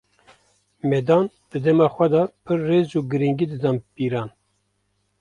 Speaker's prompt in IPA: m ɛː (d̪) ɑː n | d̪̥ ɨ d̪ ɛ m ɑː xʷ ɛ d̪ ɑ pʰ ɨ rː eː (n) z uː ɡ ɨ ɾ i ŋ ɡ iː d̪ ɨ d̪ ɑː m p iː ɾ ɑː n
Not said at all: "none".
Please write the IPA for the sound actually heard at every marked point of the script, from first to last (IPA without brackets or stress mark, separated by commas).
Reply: d̪, none